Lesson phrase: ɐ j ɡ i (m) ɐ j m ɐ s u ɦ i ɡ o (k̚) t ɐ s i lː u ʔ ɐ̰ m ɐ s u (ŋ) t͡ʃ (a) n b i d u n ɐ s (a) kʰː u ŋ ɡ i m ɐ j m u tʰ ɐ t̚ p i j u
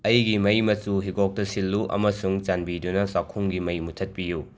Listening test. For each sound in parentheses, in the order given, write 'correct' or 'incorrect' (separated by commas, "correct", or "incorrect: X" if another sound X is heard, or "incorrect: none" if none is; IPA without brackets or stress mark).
correct, correct, correct, correct, correct